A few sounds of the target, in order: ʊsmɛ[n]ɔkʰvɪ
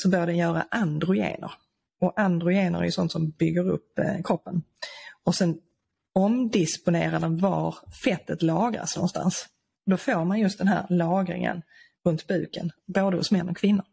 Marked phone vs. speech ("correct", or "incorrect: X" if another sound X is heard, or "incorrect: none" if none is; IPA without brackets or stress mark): incorrect: nː